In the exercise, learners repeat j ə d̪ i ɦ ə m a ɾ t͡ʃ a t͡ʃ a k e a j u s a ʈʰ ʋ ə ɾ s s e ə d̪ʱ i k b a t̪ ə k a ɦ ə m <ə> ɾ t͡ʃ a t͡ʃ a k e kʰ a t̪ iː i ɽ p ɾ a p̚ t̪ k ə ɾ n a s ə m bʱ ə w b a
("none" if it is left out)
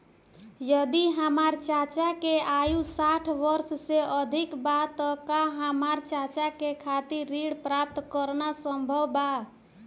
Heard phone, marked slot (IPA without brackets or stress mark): a